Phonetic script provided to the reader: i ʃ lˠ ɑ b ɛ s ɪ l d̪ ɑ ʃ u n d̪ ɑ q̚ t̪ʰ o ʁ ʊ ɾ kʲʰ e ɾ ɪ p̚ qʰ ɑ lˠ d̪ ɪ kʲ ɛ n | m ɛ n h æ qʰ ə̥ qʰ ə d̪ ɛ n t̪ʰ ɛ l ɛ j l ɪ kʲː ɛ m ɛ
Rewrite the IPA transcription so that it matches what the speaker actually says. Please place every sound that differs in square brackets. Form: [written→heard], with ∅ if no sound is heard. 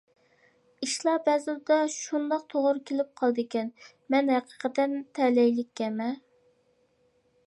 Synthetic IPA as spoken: i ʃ lˠ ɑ b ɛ [s→z] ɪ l d̪ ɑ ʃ u n d̪ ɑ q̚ t̪ʰ o ʁ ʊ ɾ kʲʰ e [ɾ→l] ɪ p̚ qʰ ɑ lˠ d̪ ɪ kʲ ɛ n | m ɛ n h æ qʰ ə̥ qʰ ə [d̪→t̪] ɛ n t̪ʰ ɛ l ɛ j l ɪ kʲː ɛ m ɛ